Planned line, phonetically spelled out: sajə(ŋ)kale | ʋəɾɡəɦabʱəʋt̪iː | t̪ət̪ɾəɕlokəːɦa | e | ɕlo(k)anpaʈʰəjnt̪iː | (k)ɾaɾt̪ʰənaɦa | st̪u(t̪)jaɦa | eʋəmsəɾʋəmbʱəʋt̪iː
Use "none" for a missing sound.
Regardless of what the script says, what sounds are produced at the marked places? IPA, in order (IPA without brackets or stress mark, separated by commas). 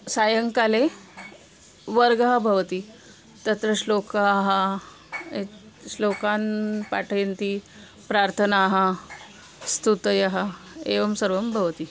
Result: ŋ, k, p, t̪